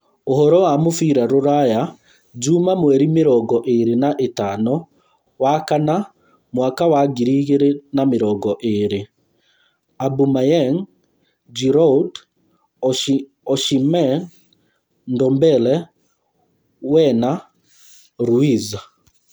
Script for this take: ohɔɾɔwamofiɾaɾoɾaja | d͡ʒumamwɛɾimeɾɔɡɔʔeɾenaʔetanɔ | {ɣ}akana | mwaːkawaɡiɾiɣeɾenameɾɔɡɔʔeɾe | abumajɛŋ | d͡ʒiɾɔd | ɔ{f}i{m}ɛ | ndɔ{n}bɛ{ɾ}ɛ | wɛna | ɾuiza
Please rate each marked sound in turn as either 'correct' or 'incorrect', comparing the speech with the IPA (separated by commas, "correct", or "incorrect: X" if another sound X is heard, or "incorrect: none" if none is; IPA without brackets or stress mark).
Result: incorrect: w, incorrect: ʃ, correct, incorrect: m, incorrect: l